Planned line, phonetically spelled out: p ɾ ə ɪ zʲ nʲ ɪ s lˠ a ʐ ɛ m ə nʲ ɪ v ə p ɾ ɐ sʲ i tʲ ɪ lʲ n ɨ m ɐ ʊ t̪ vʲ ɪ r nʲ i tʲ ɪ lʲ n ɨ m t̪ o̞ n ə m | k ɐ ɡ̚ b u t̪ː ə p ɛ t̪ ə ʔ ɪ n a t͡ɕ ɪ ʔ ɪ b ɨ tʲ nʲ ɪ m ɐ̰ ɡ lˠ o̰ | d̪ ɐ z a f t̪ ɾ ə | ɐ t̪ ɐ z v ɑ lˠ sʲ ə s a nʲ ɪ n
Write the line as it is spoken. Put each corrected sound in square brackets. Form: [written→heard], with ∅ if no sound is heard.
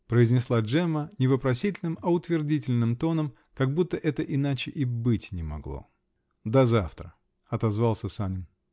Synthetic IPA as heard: p ɾ ə ɪ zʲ nʲ ɪ s lˠ a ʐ ɛ m ə nʲ ɪ v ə p ɾ ɐ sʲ i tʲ ɪ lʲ n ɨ m ɐ ʊ t̪ vʲ ɪ r [nʲ→dʲ] i tʲ ɪ lʲ n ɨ m t̪ o̞ n ə m | k ɐ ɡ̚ b u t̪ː ə [p→ʔ] ɛ t̪ ə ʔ ɪ n a t͡ɕ ɪ ʔ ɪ b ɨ tʲ nʲ ɪ m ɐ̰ ɡ lˠ o̰ | d̪ ɐ z a f t̪ ɾ ə | ɐ t̪ ɐ z v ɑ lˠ sʲ ə s a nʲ ɪ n